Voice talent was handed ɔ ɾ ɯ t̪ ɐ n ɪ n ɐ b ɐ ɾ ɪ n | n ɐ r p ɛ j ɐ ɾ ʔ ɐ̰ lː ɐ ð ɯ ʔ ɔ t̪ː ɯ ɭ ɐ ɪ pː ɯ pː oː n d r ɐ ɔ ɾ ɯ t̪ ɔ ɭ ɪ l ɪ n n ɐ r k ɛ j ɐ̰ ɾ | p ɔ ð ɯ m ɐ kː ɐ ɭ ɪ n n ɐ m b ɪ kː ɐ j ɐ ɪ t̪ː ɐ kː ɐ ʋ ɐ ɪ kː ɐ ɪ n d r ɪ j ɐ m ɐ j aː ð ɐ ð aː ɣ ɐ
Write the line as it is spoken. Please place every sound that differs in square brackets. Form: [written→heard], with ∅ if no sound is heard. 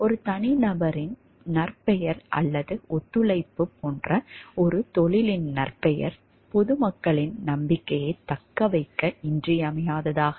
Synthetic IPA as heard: ɔ ɾ ɯ t̪ ɐ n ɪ n ɐ b ɐ ɾ ɪ n | n ɐ r p ɛ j ɐ ɾ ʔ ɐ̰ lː ɐ ð ɯ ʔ ɔ t̪ː ɯ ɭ ɐ ɪ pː ɯ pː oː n d r ɐ ɔ ɾ ɯ t̪ ɔ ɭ ɪ l ɪ n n ɐ r [k→p] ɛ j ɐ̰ ɾ | p ɔ ð ɯ m ɐ kː ɐ ɭ ɪ n n ɐ m b ɪ kː ɐ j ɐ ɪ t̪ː ɐ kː ɐ ʋ ɐ ɪ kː ɐ ɪ n d r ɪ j ɐ m ɐ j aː ð ɐ ð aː ɣ ɐ

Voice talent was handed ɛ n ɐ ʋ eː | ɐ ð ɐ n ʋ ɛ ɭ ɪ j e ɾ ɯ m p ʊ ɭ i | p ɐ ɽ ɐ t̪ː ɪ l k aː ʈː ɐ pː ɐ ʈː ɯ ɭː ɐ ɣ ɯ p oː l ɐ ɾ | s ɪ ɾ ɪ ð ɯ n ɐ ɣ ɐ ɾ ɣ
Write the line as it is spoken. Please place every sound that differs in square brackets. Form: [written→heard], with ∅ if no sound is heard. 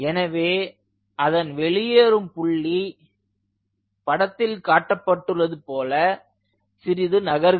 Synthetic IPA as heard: ɛ n ɐ ʋ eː | ɐ ð ɐ n ʋ ɛ ɭ ɪ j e ɾ ɯ m p ʊ [ɭ→ɭː] i | p ɐ ɽ ɐ t̪ː ɪ l k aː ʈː ɐ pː ɐ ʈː ɯ [ɭː→rː] ɐ [ɣ→ð] ɯ p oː l ɐ [ɾ→∅] | s ɪ ɾ ɪ ð ɯ n ɐ ɣ ɐ ɾ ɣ

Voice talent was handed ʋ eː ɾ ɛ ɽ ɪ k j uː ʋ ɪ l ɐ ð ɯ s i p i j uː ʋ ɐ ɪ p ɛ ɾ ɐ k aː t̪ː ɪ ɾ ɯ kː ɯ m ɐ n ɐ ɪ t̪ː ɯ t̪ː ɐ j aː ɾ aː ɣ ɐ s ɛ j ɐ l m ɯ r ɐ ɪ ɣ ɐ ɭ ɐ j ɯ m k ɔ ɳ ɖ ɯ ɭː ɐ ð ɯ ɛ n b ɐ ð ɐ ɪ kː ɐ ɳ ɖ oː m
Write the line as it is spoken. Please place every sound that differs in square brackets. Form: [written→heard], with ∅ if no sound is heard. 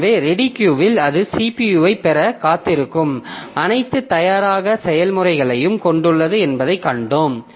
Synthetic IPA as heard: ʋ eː ɾ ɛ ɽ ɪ k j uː ʋ ɪ l ɐ ð ɯ s i p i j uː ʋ ɐ ɪ p ɛ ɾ ɐ k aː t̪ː ɪ ɾ ɯ kː ɯ m ɐ n ɐ ɪ t̪ː ɯ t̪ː ɐ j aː ɾ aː ɣ ɐ s ɛ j ɐ l m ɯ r ɐ ɪ ɣ ɐ ɭ ɐ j ɯ m k ɔ ɳ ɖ ɯ ɭː ɐ ð ɯ ɛ n b ɐ ð ɐ ɪ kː ɐ ɳ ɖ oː m

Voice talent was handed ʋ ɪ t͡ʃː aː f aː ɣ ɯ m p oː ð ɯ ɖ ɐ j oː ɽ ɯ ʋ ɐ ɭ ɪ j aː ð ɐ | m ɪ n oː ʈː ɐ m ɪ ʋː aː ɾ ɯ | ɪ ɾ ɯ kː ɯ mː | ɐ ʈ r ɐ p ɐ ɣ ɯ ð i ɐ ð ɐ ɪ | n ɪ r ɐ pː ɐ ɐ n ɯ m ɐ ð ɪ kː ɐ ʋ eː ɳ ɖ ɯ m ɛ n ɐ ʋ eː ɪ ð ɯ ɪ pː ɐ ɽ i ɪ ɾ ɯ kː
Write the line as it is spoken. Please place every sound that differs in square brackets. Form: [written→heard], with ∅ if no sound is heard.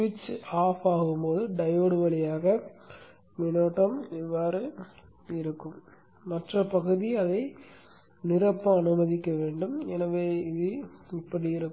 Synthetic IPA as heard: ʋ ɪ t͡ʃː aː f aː ɣ ɯ m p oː ð ɯ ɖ ɐ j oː ɽ ɯ ʋ ɐ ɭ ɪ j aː [ð→ɣ] ɐ | m ɪ n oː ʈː ɐ m ɪ ʋː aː ɾ ɯ | ɪ ɾ ɯ kː ɯ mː | ɐ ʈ r ɐ p ɐ ɣ ɯ ð i ɐ ð ɐ ɪ | n ɪ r ɐ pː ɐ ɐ n ɯ m ɐ ð ɪ kː ɐ ʋ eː ɳ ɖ ɯ m ɛ n ɐ ʋ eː ɪ ð ɯ ɪ pː ɐ ɽ i ɪ ɾ ɯ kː

